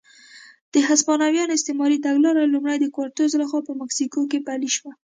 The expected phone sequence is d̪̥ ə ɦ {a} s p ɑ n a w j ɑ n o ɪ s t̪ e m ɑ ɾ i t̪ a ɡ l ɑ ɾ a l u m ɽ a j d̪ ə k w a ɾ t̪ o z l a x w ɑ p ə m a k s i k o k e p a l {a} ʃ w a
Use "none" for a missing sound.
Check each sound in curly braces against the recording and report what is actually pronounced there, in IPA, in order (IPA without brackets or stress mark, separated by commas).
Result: a, i